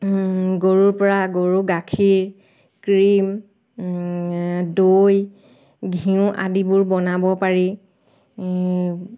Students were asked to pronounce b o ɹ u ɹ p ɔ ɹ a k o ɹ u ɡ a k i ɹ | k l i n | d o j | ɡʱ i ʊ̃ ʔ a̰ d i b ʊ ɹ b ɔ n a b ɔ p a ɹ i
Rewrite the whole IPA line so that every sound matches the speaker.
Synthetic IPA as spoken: ɡ o ɹ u ɹ p ɔ ɹ a ɡ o ɹ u ɡ a kʰ i ɹ | k ɹ i m | d o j | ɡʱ i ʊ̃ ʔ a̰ d i b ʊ ɹ b ɔ n a b ɔ p a ɹ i